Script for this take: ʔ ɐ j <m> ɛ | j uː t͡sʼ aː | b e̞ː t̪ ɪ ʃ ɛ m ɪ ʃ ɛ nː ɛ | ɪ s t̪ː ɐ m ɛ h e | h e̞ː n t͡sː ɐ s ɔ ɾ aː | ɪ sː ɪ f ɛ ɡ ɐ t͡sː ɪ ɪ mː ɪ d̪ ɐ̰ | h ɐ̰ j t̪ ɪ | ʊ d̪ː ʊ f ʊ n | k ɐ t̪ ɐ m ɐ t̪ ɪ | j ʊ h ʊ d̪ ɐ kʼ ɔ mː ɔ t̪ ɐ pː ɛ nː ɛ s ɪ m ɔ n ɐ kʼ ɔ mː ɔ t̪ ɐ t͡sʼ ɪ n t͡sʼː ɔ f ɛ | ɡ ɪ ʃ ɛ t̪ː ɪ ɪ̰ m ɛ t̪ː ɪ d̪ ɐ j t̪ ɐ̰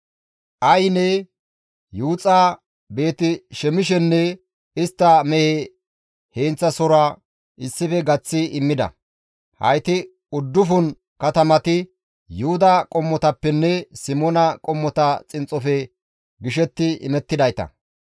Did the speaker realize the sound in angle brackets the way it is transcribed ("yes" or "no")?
no